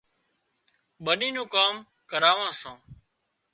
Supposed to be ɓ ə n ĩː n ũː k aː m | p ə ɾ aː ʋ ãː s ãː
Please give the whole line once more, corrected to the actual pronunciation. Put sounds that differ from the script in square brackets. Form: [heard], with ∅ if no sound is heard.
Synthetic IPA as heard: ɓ ə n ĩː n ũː k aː m | [k] ə ɾ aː ʋ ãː s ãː

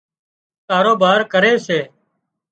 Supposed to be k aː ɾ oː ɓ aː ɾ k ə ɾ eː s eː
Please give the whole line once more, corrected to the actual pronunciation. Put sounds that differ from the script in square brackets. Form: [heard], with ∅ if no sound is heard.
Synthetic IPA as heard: k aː ɾ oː [b] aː ɾ k ə ɾ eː s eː

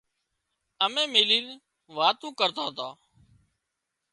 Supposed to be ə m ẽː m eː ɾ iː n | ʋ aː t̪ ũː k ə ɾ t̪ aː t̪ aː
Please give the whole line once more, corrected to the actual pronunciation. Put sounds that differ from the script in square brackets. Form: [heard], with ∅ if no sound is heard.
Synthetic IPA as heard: ə m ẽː m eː [l] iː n | ʋ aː t̪ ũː k ə ɾ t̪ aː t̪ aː

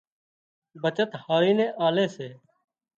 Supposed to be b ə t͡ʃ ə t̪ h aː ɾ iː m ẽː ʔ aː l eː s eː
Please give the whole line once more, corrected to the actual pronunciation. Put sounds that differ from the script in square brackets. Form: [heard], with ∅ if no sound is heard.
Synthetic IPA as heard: b ə t͡ʃ ə t̪ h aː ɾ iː [n] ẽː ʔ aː l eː s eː

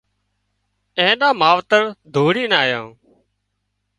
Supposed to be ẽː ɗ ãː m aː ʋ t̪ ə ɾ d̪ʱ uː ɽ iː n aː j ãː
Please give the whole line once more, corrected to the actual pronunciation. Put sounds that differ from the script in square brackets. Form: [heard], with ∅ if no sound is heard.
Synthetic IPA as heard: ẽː ɗ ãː m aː ʋ t̪ ə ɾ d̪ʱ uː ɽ iː n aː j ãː

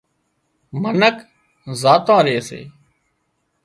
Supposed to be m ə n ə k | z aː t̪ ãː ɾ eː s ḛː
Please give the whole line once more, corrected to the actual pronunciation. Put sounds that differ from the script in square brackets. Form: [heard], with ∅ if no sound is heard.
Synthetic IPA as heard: m ə n ə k | z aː t̪ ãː ɾ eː s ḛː

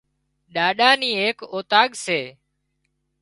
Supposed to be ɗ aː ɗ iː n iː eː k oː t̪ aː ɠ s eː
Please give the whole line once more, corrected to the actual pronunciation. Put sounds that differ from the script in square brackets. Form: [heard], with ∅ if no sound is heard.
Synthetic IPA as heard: ɗ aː ɗ [aː] n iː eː k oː t̪ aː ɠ s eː

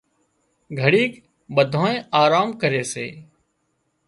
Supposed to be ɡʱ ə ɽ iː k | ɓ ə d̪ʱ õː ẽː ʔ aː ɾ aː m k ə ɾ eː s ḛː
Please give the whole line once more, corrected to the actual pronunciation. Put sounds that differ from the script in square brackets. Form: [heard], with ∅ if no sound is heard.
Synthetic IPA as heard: ɡʱ ə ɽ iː k | ɓ ə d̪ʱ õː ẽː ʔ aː ɾ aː m k ə ɾ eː s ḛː

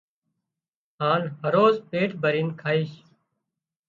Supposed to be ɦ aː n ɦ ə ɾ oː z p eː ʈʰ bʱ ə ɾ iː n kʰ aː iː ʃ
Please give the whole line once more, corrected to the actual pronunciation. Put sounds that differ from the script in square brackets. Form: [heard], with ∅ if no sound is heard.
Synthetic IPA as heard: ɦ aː n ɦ ə ɾ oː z p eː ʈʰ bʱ ə ɾ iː n kʰ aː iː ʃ

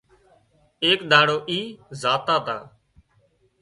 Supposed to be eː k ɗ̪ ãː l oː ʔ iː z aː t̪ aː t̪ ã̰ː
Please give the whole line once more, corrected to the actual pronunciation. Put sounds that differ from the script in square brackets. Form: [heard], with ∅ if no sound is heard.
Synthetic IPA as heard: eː k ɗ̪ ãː [ɽ] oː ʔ iː z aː t̪ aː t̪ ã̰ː

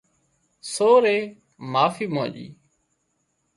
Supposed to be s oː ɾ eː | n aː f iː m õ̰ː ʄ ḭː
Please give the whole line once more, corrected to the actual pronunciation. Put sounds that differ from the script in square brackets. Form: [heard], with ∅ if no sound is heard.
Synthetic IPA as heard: s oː ɾ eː | [m] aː f iː m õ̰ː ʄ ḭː

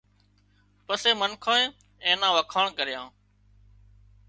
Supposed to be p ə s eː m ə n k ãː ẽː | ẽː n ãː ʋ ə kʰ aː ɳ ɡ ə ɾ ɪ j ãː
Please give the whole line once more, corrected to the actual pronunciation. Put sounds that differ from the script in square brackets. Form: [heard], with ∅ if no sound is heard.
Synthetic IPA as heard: p ə s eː m ə n [kʰ] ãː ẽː | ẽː n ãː ʋ ə kʰ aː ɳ [k] ə ɾ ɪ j ãː

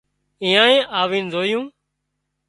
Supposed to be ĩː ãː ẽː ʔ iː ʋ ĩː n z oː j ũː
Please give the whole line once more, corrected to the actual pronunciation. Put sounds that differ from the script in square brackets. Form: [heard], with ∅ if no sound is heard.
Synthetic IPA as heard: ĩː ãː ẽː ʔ [aː] ʋ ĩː n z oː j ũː

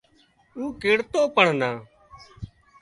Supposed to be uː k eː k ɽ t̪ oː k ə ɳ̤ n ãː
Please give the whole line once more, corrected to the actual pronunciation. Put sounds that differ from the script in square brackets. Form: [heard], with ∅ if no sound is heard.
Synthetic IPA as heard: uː k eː [∅] ɽ t̪ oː [p] ə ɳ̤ n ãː

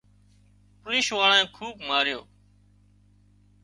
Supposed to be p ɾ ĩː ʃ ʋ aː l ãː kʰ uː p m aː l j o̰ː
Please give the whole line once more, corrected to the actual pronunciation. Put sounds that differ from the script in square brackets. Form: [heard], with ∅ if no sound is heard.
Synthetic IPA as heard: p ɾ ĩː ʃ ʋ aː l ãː kʰ uː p m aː [ɾ] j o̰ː

